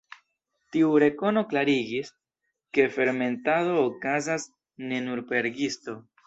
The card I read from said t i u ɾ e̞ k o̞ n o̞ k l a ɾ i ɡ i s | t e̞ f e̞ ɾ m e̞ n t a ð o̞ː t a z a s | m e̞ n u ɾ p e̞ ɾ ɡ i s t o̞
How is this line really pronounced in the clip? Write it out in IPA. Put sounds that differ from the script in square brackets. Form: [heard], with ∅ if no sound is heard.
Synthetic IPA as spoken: t i u ɾ e̞ k o̞ n o̞ k l a ɾ i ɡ i s | [k] e̞ f e̞ ɾ m e̞ n t a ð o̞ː [k] a z a s | [n] e̞ n u ɾ p e̞ ɾ ɡ i s t o̞